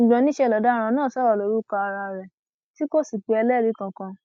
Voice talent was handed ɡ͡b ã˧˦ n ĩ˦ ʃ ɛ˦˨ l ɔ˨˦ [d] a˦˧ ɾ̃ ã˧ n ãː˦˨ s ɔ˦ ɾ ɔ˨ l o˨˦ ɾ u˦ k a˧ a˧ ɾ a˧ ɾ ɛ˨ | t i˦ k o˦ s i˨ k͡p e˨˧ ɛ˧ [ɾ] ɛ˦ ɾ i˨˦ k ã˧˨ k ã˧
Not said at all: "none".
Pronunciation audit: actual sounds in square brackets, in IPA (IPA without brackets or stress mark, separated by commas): d, l